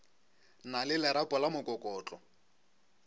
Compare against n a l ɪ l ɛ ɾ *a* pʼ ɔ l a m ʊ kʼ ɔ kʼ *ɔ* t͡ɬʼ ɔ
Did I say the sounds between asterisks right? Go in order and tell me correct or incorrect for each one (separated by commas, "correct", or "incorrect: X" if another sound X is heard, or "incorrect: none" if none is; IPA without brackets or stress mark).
correct, incorrect: ɔː